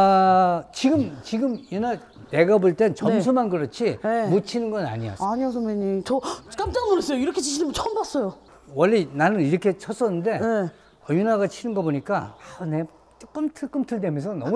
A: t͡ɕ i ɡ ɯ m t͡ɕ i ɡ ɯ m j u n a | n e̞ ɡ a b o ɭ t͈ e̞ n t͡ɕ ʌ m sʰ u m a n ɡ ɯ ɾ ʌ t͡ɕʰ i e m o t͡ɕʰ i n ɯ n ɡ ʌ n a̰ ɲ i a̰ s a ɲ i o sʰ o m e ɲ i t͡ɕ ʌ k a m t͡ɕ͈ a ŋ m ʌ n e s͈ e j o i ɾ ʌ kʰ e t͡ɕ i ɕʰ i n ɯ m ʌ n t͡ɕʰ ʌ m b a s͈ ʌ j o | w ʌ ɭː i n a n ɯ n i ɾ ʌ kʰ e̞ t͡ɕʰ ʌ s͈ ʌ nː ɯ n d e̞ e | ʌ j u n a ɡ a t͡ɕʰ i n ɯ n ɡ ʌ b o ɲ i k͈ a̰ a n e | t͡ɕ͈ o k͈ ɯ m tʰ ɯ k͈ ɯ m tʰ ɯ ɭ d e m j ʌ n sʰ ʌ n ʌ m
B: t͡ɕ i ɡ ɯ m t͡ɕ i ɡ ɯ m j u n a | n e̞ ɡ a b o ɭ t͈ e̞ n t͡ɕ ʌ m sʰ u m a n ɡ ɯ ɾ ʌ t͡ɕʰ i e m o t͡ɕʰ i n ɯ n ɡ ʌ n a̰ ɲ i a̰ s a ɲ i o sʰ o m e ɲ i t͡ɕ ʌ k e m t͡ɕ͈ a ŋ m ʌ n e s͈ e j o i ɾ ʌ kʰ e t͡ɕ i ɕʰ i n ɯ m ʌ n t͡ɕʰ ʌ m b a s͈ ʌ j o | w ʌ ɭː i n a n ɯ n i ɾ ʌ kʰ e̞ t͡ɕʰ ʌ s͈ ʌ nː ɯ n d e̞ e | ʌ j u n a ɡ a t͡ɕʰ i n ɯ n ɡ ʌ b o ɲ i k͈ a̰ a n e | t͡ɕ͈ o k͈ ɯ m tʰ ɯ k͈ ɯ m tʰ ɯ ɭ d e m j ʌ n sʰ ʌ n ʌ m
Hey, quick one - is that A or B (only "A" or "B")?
A